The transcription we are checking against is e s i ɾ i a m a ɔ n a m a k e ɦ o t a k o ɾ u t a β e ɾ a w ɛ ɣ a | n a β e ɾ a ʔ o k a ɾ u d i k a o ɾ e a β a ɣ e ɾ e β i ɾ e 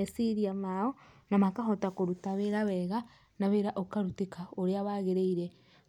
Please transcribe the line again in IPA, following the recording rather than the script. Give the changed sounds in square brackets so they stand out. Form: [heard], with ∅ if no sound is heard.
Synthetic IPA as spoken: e s i ɾ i a m a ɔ n a m a k [a] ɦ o t a k o ɾ u t a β e ɾ a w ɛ ɣ a | n a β e ɾ a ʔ o k a ɾ u [t] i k a o ɾ e a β a ɣ e ɾ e [∅] i ɾ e

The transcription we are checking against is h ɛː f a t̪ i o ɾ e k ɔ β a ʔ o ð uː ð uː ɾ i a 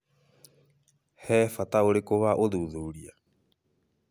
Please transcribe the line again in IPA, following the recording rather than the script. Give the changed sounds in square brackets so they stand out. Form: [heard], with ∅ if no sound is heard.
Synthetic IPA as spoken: h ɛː f a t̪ [a] o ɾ e k [o] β a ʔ o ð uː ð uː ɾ i a

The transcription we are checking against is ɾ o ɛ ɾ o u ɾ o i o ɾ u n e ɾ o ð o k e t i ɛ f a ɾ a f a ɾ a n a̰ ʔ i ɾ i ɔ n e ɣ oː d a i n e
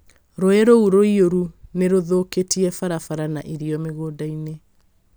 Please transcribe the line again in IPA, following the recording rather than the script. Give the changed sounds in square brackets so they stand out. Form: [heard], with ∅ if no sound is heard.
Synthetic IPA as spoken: ɾ o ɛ ɾ o u ɾ o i o ɾ u n e ɾ o ð o k e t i ɛ f a ɾ a f a ɾ a n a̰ ʔ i ɾ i ɔ [m] e ɣ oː d a i n e

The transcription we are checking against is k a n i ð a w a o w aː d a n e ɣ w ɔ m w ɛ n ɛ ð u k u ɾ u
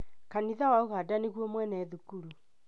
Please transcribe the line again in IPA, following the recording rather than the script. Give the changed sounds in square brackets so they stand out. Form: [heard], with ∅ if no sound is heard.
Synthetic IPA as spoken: k a n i ð a w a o [ɣ] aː d a n e ɣ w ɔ m w ɛ n ɛ ð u k u ɾ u

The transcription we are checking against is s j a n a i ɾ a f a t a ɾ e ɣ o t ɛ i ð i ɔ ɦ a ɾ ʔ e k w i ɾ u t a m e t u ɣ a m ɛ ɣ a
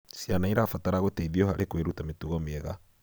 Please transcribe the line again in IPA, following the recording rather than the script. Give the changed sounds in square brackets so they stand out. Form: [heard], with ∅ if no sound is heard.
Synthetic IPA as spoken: s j a n a i ɾ a f a t a ɾ [a] ɣ o t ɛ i ð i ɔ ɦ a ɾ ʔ e k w [e] ɾ u t a m e t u ɣ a m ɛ ɣ a

